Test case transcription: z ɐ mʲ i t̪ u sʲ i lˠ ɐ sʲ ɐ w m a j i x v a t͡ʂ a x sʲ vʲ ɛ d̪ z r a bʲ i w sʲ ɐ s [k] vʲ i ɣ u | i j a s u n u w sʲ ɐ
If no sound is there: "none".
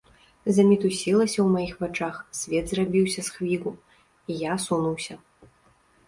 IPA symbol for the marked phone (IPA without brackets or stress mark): x